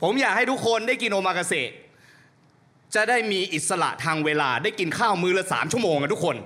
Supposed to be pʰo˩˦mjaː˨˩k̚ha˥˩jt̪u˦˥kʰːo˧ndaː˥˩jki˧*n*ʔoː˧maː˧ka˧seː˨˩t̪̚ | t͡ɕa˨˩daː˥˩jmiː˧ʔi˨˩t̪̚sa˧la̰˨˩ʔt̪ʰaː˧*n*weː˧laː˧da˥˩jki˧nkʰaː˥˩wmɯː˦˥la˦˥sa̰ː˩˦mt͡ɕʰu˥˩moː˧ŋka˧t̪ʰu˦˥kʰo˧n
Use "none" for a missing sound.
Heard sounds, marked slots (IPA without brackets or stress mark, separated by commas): n, ŋ